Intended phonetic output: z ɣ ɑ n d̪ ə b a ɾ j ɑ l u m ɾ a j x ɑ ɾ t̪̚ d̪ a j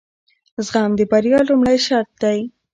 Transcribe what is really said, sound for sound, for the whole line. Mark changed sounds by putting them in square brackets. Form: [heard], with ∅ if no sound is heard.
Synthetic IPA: z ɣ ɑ [m] d̪ ə b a ɾ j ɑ l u m [ɽ] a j [ʃ] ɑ ɾ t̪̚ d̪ a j